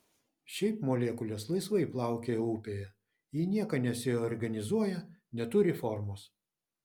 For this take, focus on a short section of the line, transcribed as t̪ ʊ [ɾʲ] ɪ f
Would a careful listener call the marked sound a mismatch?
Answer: no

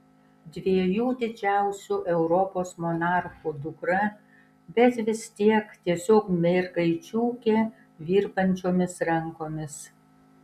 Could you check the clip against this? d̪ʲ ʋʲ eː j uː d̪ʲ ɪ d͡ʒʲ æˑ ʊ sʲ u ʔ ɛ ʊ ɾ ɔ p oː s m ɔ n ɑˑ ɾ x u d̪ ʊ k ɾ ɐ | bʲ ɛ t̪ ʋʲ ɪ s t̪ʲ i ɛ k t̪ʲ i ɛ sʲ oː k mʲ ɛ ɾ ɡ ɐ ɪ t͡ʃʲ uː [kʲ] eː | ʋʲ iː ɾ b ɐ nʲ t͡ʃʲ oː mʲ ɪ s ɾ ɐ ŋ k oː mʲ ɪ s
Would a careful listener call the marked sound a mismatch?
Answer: no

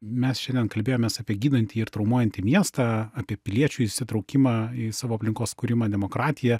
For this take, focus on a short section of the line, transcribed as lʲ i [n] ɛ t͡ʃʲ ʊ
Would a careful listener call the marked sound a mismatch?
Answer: yes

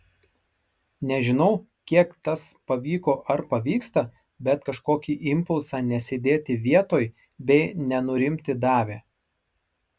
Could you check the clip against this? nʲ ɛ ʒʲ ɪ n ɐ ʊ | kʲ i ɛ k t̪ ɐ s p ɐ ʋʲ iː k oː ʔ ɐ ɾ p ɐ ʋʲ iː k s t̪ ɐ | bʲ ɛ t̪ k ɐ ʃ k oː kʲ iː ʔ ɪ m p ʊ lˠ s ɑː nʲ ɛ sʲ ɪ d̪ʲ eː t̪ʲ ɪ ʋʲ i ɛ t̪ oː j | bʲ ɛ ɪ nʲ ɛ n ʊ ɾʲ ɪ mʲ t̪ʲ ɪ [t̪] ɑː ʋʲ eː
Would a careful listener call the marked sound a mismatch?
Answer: yes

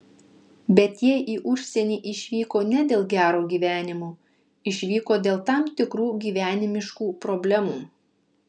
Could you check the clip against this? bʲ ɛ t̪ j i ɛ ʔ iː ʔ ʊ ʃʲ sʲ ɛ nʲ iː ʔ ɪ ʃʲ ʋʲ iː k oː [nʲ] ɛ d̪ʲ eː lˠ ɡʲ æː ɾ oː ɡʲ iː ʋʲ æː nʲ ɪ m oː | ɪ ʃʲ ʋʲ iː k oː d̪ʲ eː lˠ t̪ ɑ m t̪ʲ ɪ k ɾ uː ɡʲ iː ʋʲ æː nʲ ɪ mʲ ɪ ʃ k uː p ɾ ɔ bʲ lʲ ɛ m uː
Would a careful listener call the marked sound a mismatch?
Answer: no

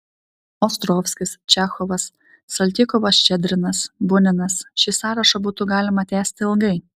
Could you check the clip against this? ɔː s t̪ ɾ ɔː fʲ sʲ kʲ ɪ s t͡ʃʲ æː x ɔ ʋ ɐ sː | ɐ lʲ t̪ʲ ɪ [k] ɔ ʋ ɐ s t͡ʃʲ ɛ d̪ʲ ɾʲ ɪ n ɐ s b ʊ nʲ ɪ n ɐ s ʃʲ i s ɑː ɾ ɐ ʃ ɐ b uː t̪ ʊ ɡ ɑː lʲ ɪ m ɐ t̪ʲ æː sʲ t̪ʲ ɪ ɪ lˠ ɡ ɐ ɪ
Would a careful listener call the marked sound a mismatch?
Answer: no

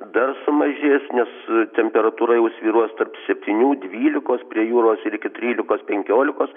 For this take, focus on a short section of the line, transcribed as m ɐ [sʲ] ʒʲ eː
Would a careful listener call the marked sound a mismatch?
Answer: yes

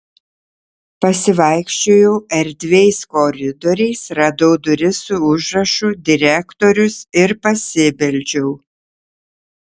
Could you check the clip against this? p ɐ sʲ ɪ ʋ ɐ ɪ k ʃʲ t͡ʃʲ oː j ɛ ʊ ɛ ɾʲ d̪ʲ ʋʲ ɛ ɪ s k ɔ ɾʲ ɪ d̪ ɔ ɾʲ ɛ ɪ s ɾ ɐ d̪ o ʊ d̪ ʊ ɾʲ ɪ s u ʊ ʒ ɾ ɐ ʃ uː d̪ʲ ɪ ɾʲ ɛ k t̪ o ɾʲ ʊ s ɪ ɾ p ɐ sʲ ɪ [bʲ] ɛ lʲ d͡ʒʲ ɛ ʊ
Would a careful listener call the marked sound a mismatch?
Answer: no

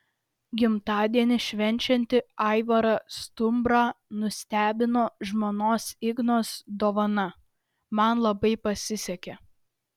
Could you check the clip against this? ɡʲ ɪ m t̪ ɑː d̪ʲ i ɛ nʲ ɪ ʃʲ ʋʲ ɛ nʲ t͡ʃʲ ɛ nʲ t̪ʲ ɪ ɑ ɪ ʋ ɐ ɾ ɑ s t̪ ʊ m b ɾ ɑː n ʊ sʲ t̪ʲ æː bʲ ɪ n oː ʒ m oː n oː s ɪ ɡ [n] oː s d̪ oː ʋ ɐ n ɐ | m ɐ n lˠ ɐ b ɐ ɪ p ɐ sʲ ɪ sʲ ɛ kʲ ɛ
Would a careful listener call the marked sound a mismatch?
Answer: no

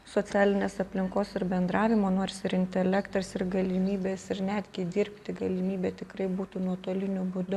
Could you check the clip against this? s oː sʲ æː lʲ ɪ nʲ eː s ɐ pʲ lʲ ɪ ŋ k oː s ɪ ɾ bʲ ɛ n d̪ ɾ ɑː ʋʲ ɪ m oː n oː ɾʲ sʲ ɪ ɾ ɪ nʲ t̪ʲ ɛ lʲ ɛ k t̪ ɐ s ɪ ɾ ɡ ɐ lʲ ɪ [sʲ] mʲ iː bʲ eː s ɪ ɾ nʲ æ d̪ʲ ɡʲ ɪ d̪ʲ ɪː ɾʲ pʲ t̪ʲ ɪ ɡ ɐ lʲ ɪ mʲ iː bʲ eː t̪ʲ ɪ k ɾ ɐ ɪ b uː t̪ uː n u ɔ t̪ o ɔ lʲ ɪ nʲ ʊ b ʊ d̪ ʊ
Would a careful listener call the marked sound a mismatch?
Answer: yes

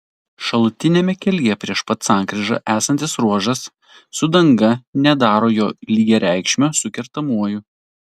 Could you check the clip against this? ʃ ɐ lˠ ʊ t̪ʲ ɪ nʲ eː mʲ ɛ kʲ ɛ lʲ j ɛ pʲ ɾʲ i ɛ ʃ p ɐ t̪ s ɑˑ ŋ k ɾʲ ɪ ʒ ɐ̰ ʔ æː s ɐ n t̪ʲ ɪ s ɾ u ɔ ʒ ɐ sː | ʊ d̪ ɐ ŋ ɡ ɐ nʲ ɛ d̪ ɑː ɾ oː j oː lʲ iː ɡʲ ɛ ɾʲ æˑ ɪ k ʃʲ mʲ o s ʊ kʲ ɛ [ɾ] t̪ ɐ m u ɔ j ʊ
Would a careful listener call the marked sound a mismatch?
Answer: no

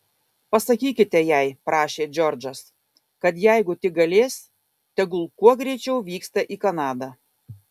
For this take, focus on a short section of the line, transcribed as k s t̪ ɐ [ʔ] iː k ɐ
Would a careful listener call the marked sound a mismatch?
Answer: no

